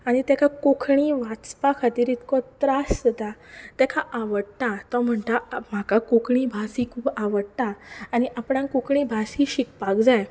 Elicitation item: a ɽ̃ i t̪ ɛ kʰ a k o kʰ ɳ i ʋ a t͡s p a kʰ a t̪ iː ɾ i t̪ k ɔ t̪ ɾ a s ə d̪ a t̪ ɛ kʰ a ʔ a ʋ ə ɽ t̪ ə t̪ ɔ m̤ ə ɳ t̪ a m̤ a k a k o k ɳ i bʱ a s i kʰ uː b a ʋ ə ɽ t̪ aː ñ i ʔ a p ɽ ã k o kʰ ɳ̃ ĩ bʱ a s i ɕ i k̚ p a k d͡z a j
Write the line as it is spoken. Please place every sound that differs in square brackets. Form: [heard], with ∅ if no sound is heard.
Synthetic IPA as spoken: a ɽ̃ i t̪ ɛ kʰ a k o kʰ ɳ i ʋ a t͡s p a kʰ a t̪ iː ɾ i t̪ k ɔ t̪ ɾ a s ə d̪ a t̪ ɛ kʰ a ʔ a ʋ ə ɽ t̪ [a] t̪ ɔ m̤ ə ɳ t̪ a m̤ a k a k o k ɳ i bʱ a s i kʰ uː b a ʋ ə ɽ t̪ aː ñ i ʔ a p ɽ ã k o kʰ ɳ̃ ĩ bʱ a s i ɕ i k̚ p a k d͡z a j